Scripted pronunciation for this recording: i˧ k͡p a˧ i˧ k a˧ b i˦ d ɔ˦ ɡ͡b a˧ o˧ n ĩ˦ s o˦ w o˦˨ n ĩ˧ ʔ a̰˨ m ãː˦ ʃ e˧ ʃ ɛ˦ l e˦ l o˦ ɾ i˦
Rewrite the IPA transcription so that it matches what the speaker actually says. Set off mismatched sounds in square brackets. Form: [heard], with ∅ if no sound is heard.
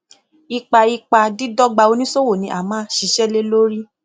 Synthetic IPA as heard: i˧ k͡p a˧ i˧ [k͡p] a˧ [d] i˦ d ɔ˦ ɡ͡b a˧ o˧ n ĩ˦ s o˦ w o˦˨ n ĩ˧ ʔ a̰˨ m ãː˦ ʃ [i˧] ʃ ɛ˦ l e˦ l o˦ ɾ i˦